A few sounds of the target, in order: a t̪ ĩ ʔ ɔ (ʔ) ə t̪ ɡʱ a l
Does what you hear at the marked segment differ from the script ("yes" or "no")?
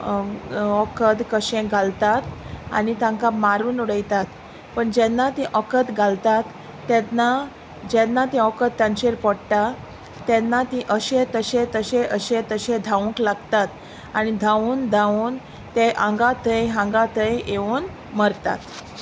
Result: yes